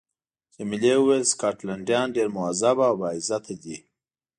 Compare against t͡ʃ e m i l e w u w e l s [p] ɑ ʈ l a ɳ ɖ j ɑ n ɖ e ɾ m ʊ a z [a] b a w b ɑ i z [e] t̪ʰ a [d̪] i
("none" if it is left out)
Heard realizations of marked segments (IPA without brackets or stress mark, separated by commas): k, a, a, d̪